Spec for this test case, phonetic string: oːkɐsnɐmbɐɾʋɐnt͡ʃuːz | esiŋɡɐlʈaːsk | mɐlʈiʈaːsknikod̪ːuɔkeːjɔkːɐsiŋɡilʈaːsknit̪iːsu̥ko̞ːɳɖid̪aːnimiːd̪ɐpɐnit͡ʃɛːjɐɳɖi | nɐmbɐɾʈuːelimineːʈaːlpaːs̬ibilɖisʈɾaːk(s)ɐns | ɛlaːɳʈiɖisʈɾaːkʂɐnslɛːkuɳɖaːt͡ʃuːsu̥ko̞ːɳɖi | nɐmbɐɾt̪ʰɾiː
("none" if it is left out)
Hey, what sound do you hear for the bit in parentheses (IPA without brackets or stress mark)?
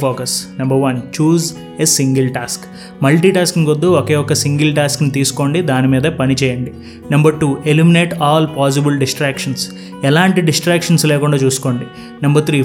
ʂ